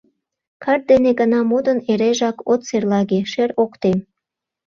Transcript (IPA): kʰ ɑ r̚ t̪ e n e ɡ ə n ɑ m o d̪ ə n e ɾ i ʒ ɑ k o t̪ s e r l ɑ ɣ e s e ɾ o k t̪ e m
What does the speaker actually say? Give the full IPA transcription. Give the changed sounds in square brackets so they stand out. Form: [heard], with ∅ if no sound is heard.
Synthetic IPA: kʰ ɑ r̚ [d̪] e n e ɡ ə n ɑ m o d̪ ə n e ɾ [e] ʒ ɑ k o t̪ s e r l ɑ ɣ e [ʃ] e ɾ o k t̪ e m